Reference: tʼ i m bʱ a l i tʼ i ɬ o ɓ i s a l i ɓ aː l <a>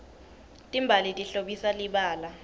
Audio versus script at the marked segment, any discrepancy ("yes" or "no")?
no